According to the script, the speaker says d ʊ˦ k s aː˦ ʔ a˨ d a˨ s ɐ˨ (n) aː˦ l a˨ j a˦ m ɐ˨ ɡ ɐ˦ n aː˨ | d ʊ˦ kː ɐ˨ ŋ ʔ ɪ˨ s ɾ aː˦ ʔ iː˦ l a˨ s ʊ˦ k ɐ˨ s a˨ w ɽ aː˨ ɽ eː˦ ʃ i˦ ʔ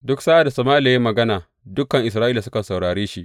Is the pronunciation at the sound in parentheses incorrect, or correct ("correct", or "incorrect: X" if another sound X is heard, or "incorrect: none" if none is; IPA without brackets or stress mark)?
incorrect: m